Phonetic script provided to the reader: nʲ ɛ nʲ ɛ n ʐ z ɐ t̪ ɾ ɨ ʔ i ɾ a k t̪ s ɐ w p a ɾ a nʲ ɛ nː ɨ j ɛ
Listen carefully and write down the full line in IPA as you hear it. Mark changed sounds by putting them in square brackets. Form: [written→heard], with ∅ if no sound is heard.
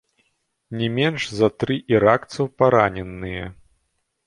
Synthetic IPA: nʲ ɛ [nʲ→mʲ] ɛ n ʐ z ɐ t̪ ɾ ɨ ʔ i ɾ a k t̪ s ɐ w p a ɾ a nʲ ɛ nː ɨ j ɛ